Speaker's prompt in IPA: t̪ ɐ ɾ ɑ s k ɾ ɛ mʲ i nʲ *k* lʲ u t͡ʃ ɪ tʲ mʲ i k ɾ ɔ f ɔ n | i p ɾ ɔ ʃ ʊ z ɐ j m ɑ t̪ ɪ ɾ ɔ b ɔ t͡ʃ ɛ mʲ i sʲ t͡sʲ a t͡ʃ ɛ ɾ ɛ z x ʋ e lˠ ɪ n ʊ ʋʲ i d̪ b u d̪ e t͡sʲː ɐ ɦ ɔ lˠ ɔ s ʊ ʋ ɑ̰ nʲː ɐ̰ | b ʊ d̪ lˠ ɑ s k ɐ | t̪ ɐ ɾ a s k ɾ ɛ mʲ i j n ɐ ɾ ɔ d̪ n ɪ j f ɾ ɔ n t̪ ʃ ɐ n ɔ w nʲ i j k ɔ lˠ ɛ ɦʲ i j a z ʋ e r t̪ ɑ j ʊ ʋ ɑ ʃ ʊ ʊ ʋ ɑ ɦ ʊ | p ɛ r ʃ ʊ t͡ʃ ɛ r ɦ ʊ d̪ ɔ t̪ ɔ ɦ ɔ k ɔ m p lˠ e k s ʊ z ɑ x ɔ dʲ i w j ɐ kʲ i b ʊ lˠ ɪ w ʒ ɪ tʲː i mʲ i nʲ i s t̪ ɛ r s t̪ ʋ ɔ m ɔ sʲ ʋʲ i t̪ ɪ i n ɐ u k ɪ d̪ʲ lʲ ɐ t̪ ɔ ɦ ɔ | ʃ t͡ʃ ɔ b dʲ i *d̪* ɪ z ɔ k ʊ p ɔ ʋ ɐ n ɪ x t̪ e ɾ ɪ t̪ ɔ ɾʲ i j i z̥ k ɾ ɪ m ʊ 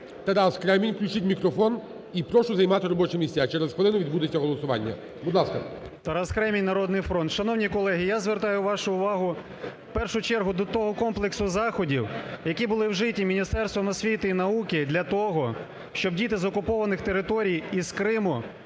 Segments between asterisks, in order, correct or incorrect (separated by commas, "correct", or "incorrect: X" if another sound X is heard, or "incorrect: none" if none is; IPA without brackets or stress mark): correct, incorrect: t̪